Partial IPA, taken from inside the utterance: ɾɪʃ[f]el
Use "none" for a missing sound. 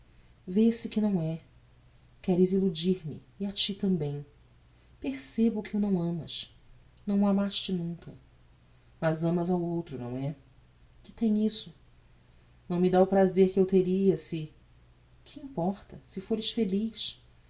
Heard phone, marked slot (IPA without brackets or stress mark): f